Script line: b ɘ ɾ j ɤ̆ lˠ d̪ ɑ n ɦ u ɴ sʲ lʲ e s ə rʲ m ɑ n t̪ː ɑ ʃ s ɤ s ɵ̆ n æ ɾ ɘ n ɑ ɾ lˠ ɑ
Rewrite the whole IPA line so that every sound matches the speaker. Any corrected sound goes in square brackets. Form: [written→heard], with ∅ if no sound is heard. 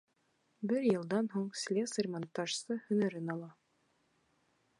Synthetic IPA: b ɘ ɾ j ɤ̆ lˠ d̪ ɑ n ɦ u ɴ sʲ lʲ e s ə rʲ m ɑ n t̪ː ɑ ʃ s ɤ [s→h] ɵ̆ n æ ɾ ɘ n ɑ [ɾ→∅] lˠ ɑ